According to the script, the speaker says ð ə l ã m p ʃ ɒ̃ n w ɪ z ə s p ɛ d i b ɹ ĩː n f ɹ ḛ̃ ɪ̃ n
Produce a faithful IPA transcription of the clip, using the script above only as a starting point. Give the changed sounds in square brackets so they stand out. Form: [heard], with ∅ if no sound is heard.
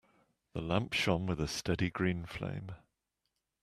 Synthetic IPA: ð ə l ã m p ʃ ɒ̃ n w ɪ [ð] ə s [t] ɛ d i [ɡ] ɹ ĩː n f [l] ḛ̃ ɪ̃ [m]